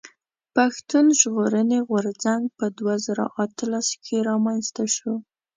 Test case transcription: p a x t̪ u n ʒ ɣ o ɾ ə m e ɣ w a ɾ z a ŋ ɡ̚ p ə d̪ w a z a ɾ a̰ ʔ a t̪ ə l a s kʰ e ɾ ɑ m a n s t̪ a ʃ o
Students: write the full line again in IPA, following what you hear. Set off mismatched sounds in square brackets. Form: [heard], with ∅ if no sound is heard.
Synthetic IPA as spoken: p a x t̪ u n ʒ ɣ o ɾ ə [n] e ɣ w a ɾ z a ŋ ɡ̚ p ə d̪ w a z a ɾ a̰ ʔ a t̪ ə l a s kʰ e ɾ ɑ m a n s t̪ a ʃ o

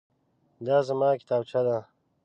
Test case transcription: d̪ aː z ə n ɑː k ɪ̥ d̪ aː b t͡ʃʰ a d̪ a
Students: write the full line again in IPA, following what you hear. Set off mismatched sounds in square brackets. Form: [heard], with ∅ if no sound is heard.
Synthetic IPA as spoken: d̪ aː z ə [m] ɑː k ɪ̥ [t̪] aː b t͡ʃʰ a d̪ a

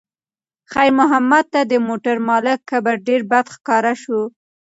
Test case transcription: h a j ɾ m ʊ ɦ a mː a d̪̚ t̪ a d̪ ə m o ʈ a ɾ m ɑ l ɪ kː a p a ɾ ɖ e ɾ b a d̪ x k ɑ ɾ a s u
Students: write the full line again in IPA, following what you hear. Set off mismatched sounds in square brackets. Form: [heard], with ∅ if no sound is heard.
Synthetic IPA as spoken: [x] a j ɾ m ʊ ɦ a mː a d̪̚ t̪ a d̪ ə m o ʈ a ɾ m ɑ l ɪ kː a [b] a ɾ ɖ e ɾ b a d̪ x k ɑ ɾ a [ʃ] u

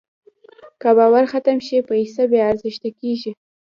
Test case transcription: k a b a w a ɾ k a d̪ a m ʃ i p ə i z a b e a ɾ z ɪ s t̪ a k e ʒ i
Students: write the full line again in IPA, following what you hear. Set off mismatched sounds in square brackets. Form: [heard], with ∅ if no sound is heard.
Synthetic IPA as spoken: k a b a w a ɾ [x] a [t̪] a m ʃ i p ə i [s] a b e a ɾ z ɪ [ʃ] t̪ a k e ʒ i

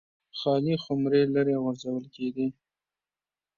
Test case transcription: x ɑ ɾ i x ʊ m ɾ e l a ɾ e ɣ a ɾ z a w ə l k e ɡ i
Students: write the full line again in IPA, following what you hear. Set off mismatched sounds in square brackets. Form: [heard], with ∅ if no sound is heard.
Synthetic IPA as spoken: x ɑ [l] i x ʊ m ɾ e l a ɾ e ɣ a ɾ z a w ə l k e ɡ i

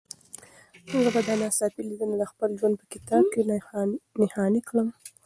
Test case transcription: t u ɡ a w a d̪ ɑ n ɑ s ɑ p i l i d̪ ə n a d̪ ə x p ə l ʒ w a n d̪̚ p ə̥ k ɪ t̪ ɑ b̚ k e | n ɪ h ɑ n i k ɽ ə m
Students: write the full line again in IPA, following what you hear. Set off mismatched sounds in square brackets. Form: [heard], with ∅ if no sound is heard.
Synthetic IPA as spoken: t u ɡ a [b] a d̪ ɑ n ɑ s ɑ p i l i d̪ ə n a d̪ ə x p ə l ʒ w a n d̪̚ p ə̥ k ɪ t̪ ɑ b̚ k e | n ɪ h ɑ n i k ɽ ə m

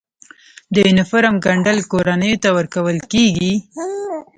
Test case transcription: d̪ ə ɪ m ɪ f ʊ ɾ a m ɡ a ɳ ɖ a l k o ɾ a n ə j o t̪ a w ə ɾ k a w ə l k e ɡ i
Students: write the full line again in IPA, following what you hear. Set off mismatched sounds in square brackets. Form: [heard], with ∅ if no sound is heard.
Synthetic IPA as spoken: d̪ ə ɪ [n] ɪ f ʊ ɾ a m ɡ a ɳ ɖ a l k o ɾ a n ə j o t̪ a w ə ɾ k a w ə l k e ɡ i

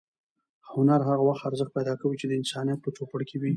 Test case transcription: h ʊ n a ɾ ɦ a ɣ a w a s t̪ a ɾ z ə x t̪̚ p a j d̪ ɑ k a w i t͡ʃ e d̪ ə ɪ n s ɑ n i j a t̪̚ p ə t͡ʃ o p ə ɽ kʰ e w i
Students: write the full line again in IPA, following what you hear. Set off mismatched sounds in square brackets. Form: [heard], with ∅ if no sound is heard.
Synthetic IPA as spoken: h ʊ n a ɾ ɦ a ɣ a w a [x] t̪ a ɾ z ə x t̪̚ p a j d̪ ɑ k a w i t͡ʃ e d̪ ə ɪ n s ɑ n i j a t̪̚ p ə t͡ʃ o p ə ɽ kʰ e w i

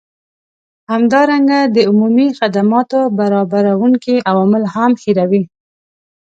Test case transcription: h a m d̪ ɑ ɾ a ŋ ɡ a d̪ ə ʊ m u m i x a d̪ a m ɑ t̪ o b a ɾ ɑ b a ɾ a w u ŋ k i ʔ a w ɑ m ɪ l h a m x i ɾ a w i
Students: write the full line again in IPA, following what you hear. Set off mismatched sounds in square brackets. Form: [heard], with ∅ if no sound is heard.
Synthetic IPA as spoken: h a m d̪ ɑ ɾ a ŋ ɡ a d̪ ə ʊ m u m i x a d̪ a m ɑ t̪ o b a ɾ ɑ b a ɾ a w u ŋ k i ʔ a w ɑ m ɪ l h a m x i ɾ a w i

